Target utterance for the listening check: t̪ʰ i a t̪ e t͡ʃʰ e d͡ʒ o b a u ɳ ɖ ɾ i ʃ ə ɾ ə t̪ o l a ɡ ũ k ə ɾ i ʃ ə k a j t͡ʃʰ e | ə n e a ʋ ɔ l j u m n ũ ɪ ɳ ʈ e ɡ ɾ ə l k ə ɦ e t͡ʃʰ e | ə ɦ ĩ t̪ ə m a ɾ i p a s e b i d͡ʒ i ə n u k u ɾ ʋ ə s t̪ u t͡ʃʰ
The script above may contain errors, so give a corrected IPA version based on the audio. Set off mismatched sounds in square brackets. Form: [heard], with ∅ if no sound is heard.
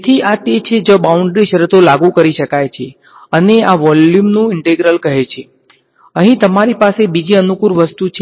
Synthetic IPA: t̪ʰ i a t̪ e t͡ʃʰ e d͡ʒ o b a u ɳ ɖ ɾ i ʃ ə ɾ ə t̪ o l a ɡ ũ k ə ɾ i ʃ ə k a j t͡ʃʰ e | ə n e a ʋ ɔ l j u m n ũ ɪ ɳ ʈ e ɡ ɾ ə l k ə ɦ e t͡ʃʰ e | ə ɦ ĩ t̪ ə m a ɾ i p a s e b i d͡ʒ i ə n u k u ɾ ʋ ə s t̪ u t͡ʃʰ